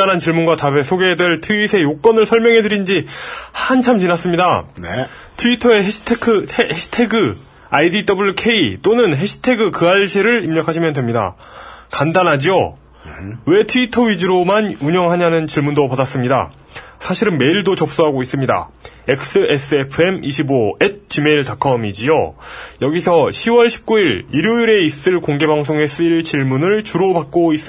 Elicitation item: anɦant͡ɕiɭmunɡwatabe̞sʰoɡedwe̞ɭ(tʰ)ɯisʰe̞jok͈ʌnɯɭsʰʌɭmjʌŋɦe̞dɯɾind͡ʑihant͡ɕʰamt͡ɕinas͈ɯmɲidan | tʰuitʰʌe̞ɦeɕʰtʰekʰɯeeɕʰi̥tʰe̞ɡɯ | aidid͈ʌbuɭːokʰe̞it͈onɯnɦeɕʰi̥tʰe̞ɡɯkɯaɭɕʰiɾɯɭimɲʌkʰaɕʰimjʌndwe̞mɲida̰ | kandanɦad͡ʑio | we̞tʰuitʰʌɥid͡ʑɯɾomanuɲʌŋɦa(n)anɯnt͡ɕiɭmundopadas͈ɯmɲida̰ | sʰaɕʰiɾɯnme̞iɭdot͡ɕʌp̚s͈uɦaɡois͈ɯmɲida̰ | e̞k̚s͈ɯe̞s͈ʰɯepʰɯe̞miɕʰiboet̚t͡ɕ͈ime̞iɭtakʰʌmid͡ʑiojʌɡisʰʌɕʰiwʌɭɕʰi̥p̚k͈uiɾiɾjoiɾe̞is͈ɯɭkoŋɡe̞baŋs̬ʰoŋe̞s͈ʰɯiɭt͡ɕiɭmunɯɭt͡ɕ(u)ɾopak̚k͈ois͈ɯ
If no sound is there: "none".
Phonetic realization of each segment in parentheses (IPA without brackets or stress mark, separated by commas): tʰ, ɲ, u